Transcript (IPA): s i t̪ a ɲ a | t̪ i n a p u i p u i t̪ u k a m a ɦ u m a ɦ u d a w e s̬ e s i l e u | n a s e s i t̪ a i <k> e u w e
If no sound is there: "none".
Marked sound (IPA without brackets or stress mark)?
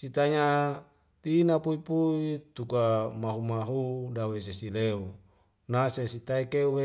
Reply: k